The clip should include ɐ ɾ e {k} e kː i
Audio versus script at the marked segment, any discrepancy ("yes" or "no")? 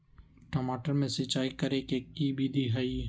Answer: no